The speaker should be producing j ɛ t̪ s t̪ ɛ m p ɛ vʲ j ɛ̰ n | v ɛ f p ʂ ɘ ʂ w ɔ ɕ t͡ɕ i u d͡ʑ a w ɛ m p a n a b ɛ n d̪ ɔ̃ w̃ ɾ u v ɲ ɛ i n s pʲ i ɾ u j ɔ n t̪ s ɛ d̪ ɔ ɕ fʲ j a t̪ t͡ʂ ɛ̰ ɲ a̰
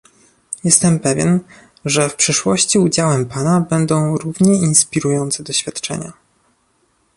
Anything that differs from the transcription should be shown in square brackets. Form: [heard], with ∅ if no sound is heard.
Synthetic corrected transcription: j ɛ [∅] s t̪ ɛ m p ɛ vʲ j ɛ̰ n | [ʐ] ɛ f p ʂ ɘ ʂ w ɔ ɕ t͡ɕ i u d͡ʑ a w ɛ m p a n a b ɛ n d̪ ɔ̃ w̃ ɾ u v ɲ ɛ i n s pʲ i ɾ u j ɔ n t̪ s ɛ d̪ ɔ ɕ fʲ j a t̪ t͡ʂ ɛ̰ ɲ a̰